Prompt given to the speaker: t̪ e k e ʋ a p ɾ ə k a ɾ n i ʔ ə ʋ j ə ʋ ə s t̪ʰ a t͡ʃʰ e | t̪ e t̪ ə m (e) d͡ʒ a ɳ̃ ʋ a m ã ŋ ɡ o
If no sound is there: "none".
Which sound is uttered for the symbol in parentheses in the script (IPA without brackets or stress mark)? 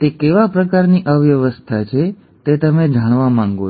e